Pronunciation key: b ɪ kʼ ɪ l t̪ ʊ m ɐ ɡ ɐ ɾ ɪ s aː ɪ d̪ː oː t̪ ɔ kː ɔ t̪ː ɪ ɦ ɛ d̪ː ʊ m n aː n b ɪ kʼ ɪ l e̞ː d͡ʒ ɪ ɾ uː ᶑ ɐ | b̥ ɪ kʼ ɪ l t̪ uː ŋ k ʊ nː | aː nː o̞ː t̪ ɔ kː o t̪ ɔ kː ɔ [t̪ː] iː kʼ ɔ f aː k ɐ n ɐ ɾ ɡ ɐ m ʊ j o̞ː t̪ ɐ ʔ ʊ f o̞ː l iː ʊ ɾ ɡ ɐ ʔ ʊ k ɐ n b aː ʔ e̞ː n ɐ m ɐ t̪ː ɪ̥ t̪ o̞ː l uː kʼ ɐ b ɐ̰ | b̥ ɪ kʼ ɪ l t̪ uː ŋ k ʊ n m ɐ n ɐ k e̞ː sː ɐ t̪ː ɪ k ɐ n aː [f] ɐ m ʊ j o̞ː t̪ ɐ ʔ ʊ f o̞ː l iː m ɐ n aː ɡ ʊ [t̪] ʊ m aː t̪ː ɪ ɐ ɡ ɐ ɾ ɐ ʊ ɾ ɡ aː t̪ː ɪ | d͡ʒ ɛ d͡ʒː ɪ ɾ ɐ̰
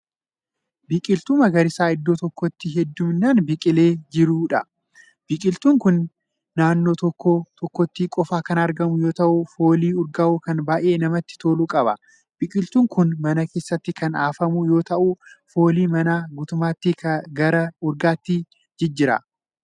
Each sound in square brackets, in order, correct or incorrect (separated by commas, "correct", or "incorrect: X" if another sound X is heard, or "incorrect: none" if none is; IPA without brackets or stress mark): correct, correct, correct